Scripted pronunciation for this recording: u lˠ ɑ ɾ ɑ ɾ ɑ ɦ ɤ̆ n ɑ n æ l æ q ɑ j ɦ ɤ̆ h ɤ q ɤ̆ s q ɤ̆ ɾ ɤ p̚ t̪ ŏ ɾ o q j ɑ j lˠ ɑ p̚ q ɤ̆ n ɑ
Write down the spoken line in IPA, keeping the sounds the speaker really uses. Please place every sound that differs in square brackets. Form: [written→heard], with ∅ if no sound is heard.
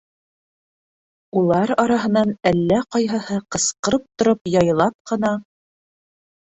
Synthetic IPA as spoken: u lˠ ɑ ɾ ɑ ɾ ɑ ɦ ɤ̆ n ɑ n æ [l→lː] æ q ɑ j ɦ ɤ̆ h ɤ q ɤ̆ s q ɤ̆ ɾ ɤ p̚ t̪ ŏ ɾ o [q→p] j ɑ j lˠ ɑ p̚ q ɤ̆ n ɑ